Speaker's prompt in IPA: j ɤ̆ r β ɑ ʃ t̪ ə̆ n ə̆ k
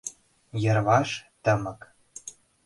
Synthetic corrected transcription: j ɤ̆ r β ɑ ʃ t̪ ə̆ m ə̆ k